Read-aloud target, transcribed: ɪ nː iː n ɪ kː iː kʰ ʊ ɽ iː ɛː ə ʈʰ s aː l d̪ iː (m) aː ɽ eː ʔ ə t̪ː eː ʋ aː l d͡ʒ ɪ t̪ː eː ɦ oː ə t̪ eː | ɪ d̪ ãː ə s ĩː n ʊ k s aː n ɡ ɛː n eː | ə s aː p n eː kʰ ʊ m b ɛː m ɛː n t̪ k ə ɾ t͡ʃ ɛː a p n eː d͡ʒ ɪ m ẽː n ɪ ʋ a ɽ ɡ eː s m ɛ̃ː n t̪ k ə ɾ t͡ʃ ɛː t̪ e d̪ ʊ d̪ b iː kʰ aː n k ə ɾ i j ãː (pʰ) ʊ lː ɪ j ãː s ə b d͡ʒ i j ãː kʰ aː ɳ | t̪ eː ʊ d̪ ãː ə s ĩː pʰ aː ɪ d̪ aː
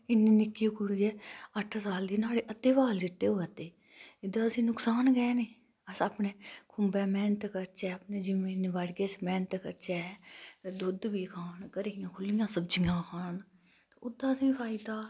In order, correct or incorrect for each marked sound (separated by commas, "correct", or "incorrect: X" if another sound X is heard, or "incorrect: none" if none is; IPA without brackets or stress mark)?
incorrect: n, incorrect: kʰ